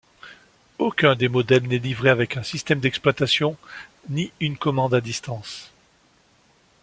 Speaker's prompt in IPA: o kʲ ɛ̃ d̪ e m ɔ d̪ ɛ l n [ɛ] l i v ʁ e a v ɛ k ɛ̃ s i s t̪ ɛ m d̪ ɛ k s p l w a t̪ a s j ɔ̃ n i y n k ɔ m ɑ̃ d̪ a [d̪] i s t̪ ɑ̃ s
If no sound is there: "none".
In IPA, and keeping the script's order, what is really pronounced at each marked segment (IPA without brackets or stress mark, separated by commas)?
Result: ɛ, d̪